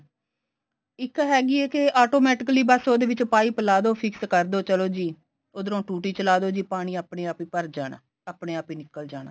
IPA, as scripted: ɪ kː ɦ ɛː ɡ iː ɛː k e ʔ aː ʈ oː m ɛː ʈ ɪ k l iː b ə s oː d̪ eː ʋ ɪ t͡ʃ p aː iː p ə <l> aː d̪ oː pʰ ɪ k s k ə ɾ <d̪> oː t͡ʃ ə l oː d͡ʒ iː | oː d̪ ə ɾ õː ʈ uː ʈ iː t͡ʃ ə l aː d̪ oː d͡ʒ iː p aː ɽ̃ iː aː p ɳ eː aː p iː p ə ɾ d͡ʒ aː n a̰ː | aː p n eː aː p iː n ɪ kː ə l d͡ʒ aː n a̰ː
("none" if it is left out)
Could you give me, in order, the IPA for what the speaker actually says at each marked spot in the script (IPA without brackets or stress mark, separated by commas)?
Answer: l, d̪